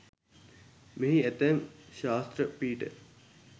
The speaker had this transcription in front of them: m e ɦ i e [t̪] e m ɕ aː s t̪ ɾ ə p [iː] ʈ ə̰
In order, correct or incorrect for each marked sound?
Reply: correct, correct

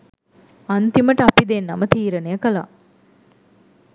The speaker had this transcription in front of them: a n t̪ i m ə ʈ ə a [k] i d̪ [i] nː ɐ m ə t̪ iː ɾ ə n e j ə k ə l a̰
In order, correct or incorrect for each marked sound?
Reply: incorrect: p, incorrect: e

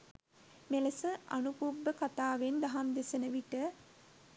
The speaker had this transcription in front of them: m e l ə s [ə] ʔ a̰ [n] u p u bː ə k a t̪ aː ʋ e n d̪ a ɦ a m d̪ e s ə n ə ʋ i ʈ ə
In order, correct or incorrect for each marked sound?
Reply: correct, correct

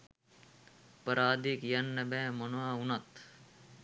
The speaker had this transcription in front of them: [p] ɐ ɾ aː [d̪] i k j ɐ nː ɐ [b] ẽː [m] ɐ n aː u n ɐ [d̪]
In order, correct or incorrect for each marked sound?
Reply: correct, correct, correct, correct, incorrect: t̪

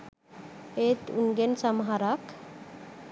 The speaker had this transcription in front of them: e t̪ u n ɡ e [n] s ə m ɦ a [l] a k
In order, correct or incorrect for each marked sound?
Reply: correct, incorrect: ɾ

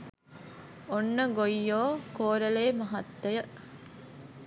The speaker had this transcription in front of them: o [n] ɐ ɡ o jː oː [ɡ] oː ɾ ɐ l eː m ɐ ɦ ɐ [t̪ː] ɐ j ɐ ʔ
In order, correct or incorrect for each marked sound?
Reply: incorrect: nː, incorrect: k, correct

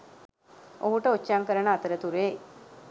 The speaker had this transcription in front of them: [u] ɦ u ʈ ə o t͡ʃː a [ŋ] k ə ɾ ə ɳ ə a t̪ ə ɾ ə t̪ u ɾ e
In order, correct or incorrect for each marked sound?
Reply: incorrect: o, correct

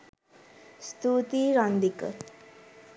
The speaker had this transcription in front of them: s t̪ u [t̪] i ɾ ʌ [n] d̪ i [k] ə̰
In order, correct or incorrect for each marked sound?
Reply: correct, correct, correct

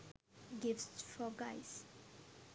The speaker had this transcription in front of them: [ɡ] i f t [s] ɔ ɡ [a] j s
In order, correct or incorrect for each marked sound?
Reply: correct, incorrect: f, correct

